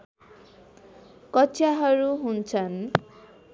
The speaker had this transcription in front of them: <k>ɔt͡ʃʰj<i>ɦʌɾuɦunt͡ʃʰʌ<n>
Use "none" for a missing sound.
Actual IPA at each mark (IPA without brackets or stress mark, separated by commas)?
k, a, n